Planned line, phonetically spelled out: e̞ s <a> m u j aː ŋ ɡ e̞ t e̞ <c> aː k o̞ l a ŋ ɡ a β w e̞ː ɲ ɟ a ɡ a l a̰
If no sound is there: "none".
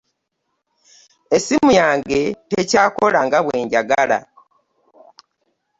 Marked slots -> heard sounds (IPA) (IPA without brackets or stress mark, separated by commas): i, c